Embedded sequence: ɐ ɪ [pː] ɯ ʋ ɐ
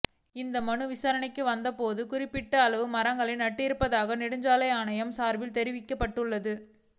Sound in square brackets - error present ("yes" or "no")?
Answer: yes